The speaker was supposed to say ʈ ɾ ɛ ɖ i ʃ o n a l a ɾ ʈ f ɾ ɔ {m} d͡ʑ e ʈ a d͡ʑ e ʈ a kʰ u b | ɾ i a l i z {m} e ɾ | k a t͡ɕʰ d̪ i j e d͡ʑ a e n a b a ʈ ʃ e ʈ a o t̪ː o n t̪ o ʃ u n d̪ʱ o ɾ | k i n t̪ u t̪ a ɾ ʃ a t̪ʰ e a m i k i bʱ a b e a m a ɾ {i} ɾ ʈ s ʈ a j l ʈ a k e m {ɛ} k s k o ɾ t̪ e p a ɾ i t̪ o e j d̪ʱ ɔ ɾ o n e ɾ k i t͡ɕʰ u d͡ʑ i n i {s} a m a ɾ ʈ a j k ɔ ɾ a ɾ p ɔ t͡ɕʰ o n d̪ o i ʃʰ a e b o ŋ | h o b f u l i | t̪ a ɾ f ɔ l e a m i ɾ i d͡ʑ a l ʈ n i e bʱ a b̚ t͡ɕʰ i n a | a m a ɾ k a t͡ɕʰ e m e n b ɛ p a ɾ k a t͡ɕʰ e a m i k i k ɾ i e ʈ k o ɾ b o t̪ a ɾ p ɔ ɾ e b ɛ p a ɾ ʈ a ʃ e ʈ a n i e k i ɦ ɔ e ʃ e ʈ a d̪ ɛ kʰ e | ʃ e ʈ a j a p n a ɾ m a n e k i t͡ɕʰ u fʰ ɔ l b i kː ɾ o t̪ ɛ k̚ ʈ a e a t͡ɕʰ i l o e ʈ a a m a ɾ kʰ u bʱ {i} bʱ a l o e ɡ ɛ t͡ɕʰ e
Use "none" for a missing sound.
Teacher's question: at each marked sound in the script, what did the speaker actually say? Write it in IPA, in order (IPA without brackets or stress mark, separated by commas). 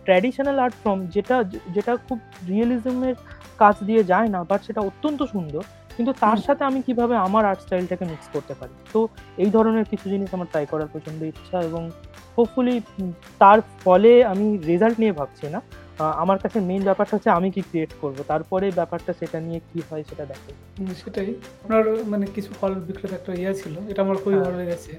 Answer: m, m, a, i, ʃ, i